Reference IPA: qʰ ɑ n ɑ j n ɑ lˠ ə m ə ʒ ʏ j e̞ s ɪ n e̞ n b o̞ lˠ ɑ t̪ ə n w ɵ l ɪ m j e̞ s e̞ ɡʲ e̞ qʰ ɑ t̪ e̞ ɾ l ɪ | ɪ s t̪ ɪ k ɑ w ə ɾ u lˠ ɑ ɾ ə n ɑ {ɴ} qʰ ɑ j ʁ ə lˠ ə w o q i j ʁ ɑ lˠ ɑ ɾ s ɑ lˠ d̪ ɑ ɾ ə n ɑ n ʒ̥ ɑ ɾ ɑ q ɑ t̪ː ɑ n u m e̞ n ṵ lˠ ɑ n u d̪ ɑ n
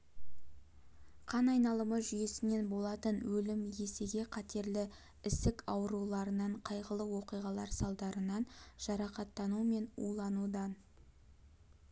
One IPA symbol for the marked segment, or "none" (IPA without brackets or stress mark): ɴ